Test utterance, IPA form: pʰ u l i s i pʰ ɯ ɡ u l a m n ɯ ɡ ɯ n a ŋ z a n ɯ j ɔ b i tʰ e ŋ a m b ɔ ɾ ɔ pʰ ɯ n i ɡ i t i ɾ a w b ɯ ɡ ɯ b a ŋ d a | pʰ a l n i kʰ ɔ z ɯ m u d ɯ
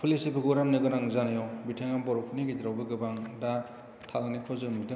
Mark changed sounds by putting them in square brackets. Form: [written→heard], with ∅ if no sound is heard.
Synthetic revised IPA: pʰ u l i s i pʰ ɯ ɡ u [l→ɾ] a m n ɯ ɡ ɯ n a ŋ z a n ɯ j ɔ b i tʰ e ŋ a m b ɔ ɾ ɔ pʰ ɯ n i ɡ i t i ɾ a w b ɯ ɡ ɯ b a ŋ d a | [pʰ→tʰ] a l n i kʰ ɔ z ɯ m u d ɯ